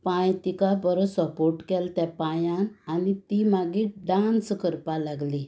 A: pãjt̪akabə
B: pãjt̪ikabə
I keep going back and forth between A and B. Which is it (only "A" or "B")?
B